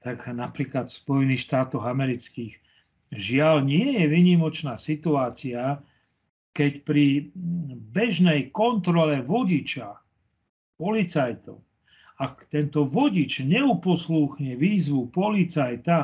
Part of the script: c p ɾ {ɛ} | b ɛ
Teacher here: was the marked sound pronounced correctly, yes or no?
no